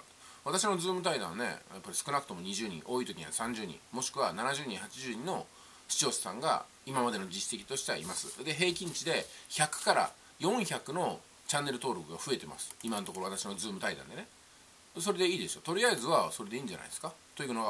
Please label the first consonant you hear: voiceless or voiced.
voiced